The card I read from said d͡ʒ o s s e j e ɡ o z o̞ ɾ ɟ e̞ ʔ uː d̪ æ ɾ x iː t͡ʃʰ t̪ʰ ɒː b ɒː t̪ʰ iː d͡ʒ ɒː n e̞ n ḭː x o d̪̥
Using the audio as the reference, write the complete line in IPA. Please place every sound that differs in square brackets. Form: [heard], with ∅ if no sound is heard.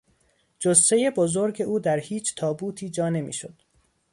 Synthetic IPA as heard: d͡ʒ o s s e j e [b] o z o̞ ɾ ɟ e̞ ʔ uː d̪ æ ɾ [h] iː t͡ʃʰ t̪ʰ ɒː b [uː] t̪ʰ iː d͡ʒ ɒː n e̞ [m] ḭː [ʃ] o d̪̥